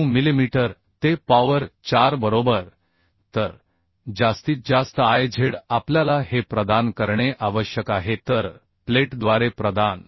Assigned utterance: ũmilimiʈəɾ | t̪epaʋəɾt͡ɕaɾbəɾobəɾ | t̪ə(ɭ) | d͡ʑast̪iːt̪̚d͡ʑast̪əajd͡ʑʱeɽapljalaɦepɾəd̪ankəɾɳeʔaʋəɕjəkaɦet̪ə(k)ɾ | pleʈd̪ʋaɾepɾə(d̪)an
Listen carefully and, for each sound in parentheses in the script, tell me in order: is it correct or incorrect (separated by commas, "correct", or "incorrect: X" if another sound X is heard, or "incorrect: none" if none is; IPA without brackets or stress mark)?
incorrect: ɾ, incorrect: none, correct